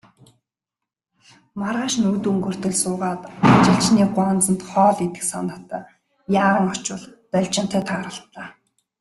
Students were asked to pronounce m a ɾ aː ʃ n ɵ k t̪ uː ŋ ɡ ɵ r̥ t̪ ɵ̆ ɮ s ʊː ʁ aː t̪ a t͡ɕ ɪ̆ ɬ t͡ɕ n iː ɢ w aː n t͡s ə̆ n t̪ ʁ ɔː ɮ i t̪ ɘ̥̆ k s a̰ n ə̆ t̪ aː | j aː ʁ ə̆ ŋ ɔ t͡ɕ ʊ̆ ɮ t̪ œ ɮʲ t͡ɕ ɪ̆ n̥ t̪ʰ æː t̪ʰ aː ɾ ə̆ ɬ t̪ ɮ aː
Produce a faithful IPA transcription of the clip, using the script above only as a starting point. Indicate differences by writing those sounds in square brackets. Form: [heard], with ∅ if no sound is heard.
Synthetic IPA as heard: m a ɾ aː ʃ n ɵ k t̪ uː ŋ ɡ ɵ r̥ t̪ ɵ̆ ɮ s ʊː ʁ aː t̪ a t͡ɕ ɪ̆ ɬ t͡ɕ n iː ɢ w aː n t͡s ə̆ n t̪ [χ] ɔː ɮ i t̪ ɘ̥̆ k s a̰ n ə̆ t̪ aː | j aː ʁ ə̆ ŋ ɔ t͡ɕ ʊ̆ ɮ t̪ œ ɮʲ t͡ɕ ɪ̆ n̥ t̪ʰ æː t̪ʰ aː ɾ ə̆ ɬ t̪ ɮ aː